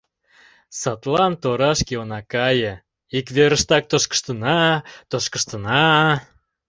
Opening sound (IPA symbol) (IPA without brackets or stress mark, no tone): s